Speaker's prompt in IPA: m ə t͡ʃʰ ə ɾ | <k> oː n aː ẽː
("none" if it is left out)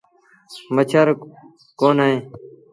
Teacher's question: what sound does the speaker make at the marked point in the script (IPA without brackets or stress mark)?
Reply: k